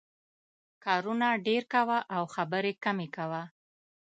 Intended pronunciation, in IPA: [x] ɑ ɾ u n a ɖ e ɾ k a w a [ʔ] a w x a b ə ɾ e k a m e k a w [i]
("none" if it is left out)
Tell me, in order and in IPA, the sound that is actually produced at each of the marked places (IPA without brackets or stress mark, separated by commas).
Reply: k, ʔ, a